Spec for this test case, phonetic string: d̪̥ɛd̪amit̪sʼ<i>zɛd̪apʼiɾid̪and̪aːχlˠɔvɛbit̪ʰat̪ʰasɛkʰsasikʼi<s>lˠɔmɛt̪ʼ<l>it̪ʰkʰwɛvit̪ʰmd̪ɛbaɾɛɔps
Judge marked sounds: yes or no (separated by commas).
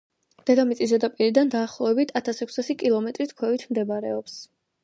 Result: yes, no, no